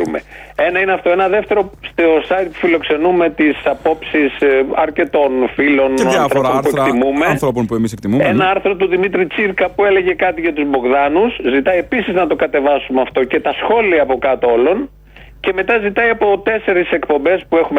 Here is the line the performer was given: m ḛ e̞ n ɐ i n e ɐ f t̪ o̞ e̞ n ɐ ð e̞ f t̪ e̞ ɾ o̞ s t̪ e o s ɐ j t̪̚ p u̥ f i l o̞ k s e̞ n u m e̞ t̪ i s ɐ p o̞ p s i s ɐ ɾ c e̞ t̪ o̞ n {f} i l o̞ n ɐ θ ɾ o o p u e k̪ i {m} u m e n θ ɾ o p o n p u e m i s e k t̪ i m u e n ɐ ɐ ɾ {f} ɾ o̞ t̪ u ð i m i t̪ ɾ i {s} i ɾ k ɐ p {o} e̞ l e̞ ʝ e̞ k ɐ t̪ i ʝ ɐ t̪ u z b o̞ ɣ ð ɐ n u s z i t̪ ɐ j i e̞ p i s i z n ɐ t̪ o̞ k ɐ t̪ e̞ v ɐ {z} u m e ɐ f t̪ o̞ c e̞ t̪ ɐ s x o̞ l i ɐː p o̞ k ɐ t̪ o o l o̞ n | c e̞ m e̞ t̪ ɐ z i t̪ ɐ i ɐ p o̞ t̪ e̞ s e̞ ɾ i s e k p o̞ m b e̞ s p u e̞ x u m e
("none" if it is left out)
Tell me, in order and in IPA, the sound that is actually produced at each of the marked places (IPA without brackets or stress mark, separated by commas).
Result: f, m, θ, t͡s, u, s